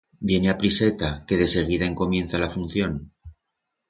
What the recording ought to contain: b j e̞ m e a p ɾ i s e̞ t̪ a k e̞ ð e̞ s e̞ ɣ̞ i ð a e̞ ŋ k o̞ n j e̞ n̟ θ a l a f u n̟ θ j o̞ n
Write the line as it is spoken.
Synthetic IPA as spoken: b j e̞ n e a p ɾ i s e̞ t̪ a k e̞ ð e̞ s e̞ ɣ̞ i ð a e̞ ŋ k o̞ m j e̞ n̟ θ a l a f u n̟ θ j o̞ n